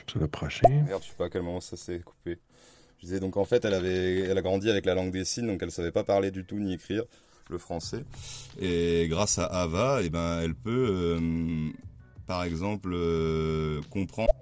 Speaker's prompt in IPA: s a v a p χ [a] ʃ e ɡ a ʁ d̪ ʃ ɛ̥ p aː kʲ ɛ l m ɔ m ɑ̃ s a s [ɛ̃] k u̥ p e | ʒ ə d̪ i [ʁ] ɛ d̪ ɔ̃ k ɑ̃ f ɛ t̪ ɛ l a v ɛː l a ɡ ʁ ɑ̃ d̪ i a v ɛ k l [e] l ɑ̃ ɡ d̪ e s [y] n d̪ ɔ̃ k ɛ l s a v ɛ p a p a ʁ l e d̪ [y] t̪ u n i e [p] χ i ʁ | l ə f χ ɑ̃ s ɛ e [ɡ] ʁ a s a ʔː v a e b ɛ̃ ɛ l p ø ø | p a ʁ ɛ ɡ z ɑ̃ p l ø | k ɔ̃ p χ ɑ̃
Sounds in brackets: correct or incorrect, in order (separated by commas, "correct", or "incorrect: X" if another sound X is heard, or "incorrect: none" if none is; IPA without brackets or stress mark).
correct, incorrect: ɛ, incorrect: z, incorrect: a, incorrect: i, correct, incorrect: k, correct